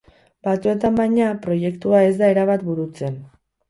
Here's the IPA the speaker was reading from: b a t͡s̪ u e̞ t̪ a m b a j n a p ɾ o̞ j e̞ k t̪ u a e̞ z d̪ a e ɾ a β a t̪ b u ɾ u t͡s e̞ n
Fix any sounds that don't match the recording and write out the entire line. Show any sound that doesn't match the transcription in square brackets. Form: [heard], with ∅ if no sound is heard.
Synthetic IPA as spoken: b a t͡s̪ u e̞ t̪ a m b a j [ɲ] a p ɾ o̞ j e̞ k t̪ u a e̞ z d̪ a e ɾ a β a t̪ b u ɾ u t͡s e̞ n